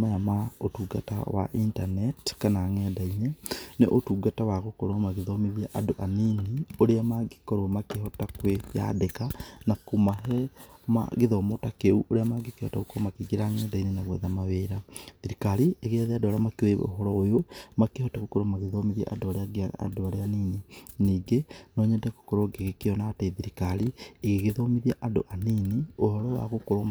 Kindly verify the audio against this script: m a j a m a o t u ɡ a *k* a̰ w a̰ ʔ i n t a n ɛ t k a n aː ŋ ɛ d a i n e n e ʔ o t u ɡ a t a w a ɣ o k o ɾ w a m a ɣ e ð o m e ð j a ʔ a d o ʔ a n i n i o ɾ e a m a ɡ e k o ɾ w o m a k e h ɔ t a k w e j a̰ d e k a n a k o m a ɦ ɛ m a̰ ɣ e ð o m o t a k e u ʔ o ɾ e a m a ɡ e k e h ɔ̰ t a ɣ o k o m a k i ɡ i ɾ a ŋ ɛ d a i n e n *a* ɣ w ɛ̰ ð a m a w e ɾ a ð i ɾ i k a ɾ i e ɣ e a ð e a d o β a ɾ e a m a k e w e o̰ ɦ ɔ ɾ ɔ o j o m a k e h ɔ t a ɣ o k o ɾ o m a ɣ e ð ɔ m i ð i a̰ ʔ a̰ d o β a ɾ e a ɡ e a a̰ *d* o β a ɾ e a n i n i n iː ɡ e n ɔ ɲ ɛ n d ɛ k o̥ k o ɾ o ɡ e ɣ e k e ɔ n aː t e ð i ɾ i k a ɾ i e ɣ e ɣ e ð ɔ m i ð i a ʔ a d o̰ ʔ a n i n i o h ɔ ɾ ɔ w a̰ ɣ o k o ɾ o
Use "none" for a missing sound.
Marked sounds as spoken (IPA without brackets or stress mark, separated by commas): t, a, d